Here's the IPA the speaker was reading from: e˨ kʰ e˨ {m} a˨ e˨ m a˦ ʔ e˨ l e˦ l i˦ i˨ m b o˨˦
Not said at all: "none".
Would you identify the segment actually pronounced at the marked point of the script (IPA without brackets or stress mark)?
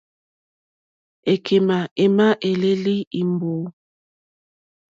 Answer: m